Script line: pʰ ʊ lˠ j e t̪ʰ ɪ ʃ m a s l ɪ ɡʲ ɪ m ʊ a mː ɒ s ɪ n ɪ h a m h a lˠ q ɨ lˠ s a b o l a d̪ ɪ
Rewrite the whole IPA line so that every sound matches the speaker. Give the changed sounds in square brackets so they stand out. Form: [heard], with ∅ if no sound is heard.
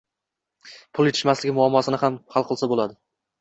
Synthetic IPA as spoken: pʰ ʊ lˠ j e t̪ʰ ɪ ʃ m a s l ɪ ɡʲ ɪ m ʊ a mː ɒ s ɪ n ɪ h a m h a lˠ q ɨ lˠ s a b o l a d̪ ɪ